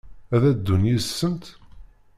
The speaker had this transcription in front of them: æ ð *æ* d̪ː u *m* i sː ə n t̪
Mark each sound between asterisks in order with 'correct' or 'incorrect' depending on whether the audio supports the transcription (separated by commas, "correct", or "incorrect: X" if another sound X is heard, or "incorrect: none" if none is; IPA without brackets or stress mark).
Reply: correct, incorrect: n